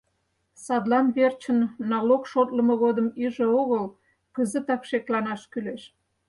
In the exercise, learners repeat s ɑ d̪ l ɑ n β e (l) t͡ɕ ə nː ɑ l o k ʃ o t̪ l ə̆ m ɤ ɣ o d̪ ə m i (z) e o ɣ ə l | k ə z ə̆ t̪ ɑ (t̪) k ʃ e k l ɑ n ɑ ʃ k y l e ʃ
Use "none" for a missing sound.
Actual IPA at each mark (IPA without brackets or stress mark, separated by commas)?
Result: r, ʒ, none